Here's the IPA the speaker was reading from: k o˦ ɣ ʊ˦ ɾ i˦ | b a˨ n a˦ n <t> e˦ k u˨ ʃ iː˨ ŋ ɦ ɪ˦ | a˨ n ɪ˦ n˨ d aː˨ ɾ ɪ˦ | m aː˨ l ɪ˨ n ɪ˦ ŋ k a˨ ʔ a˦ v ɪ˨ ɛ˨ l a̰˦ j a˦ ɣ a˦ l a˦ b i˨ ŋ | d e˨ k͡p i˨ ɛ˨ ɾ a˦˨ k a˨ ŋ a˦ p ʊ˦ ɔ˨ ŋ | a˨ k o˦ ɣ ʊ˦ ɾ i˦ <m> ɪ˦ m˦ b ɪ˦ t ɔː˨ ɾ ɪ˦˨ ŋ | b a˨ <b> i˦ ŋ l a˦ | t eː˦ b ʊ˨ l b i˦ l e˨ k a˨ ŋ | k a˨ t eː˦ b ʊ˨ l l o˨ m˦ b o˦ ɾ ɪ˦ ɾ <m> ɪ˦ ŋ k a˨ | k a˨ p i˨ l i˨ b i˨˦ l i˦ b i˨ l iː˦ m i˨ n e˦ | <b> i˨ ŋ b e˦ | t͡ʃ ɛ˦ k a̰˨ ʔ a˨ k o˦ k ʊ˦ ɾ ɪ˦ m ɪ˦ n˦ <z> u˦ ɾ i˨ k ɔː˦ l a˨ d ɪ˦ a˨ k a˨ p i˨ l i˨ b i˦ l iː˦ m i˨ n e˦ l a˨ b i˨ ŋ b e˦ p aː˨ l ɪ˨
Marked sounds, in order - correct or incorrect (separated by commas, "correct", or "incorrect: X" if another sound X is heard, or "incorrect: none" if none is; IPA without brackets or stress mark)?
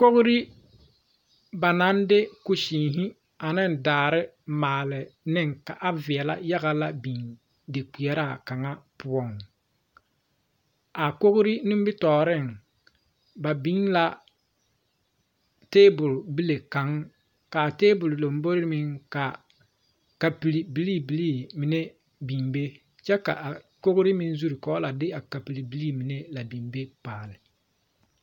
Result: incorrect: d, incorrect: n, correct, correct, correct, correct